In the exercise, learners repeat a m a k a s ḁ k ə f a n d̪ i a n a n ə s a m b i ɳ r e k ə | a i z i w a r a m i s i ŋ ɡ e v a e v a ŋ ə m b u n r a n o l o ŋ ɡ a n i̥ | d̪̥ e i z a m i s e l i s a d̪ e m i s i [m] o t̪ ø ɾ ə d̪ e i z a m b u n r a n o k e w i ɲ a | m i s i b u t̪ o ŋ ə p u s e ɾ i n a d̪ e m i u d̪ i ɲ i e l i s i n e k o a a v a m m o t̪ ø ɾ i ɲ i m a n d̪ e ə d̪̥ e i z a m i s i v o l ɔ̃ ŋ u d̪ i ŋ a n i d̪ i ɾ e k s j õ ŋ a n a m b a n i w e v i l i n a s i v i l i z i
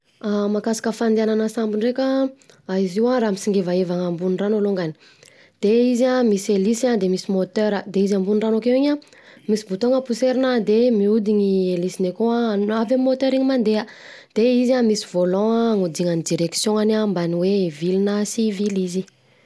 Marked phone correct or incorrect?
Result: correct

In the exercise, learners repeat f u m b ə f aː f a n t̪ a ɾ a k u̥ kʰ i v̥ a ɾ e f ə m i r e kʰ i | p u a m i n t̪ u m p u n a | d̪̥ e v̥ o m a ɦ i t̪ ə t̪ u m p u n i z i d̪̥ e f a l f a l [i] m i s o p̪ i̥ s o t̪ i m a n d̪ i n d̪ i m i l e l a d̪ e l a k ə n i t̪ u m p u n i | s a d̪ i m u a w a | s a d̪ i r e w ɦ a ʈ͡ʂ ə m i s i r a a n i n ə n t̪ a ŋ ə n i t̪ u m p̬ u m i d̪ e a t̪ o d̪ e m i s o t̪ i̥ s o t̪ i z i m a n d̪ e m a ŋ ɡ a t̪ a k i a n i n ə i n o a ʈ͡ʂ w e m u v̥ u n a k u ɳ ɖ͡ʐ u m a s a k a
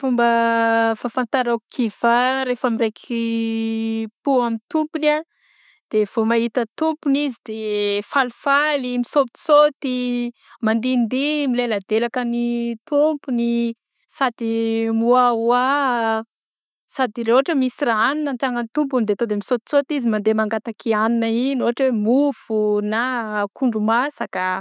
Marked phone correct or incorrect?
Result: correct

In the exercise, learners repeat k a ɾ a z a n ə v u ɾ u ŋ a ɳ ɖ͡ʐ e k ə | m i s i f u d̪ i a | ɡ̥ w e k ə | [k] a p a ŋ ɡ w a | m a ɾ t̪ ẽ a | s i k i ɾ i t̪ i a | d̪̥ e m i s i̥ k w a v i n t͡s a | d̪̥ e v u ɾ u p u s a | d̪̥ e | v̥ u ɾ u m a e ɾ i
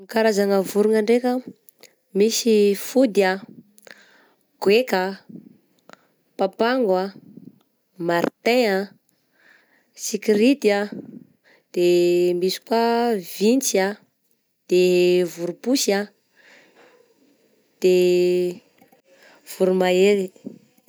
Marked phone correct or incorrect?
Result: incorrect: p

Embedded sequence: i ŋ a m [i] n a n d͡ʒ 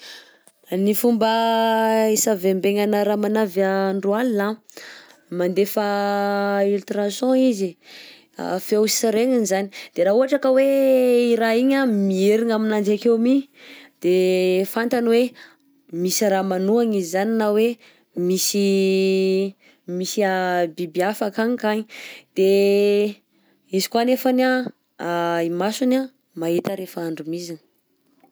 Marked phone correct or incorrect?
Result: correct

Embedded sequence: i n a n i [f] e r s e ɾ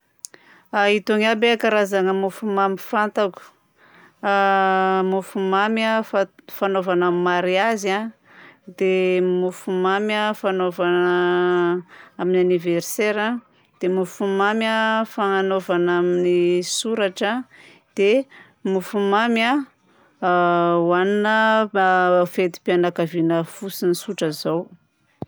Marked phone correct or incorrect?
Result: incorrect: v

